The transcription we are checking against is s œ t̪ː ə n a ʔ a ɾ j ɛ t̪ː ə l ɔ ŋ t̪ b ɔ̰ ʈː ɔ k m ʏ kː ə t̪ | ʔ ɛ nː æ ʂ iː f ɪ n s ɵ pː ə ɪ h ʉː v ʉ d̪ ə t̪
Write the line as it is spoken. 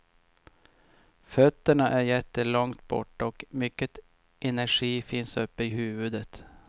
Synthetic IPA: f œ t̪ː ə ɳ a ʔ æ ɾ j ɛ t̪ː ə l ɔ ŋ t̪ b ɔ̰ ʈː ɔ k m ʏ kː ə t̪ | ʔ ɛ n æ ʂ iː f ɪ n s ɵ pː ə ɪ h ʉː v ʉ d̪ ə t̪

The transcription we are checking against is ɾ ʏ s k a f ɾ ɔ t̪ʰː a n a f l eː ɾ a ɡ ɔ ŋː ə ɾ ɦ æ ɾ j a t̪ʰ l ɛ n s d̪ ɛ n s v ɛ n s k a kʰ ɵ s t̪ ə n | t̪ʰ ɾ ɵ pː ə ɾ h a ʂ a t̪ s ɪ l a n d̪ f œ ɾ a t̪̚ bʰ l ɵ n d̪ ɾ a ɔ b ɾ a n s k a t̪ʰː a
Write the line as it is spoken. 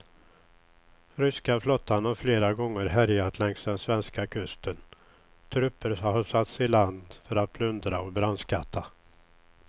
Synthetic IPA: ɾ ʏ s k a f l ɔ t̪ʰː a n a f l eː ɾ a ɡ ɔ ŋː ə ɾ ɦ æ ɾ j a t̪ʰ l ɛ ŋ s d̪ ɛ n s v ɛ n s k a kʰ ɵ s t̪ ə n | t̪ʰ ɾ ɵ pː ə ɾ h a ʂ a t̪ s ɪ l a n d̪ f œ ɾ a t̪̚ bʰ l ɵ n d̪ ɾ a ɔ b ɾ a n s k a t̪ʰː a

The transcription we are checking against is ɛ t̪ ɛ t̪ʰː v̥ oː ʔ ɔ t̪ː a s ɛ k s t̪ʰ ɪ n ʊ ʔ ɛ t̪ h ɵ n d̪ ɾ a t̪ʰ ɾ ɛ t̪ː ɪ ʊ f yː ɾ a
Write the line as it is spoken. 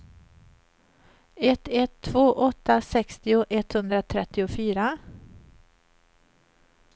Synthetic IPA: ɛ t̪ ɛ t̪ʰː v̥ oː ʔ ɔ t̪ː a s ɛ k s t̪ ɪ ʊ ʔ ɛ t̪ h ɵ n d̪ ɾ a t̪ʰ ɾ ɛ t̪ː ɪ ʊ f yː ɾ a

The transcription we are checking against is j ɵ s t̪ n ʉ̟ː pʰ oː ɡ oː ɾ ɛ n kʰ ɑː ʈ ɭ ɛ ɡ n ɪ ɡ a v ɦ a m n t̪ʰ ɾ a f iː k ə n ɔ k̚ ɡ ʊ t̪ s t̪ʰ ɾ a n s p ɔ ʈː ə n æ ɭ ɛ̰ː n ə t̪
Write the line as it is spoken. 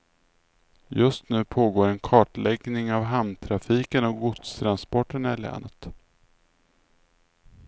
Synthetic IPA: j ɵ s t̪ n ʉ̟ː pʰ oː ɡ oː ɾ ɛ n kʰ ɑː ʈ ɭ ɛ ɡ n ɪ ŋ a v ɦ a m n t̪ʰ ɾ a f iː k ə n ɔ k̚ ɡ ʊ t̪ s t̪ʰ ɾ a n s p ɔ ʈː ə n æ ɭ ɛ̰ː n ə t̪

